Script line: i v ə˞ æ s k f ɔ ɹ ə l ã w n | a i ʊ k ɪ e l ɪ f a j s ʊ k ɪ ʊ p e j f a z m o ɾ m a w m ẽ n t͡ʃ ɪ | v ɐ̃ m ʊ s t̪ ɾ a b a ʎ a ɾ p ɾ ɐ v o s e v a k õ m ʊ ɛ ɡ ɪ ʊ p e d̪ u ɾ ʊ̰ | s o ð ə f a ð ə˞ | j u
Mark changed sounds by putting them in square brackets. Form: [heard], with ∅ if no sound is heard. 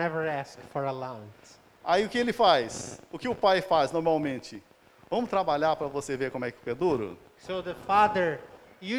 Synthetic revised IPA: [ɛ] v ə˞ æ s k f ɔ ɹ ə l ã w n | a i ʊ k ɪ e l ɪ f a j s ʊ k ɪ ʊ p [a] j f a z [n] o ɾ m a w m ẽ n t͡ʃ ɪ | v ɐ̃ m ʊ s t̪ ɾ a b a ʎ a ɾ p ɾ ɐ v o s e v [e] k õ m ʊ ɛ [k] ɪ ʊ p e d̪ u ɾ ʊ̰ | s o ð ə f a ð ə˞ | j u